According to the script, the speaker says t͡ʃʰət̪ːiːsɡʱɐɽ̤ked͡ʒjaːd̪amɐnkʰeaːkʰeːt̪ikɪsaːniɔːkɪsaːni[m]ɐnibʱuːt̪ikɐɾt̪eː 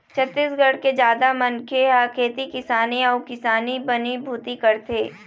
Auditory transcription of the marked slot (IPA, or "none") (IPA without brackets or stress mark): b